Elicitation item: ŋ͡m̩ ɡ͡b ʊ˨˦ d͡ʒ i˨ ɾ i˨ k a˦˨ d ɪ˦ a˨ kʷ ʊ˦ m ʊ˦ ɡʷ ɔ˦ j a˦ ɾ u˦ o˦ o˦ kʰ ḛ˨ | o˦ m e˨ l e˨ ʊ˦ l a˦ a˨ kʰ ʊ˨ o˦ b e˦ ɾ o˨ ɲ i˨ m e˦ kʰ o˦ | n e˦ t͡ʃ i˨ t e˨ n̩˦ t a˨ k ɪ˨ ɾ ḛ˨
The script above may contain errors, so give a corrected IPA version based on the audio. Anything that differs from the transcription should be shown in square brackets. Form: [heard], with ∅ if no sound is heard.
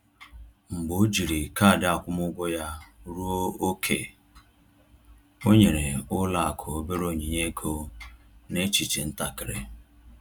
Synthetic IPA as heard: ŋ͡m̩ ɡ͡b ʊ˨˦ d͡ʒ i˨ ɾ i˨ k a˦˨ d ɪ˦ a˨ kʷ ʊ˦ m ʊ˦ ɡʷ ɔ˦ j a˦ ɾ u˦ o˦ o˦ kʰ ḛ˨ | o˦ [ɲ] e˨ [ɾ] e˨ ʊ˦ l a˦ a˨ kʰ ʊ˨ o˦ b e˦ ɾ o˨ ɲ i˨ [ɲ] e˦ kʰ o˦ | n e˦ t͡ʃ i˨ [t͡ʃ] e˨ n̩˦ t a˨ k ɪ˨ ɾ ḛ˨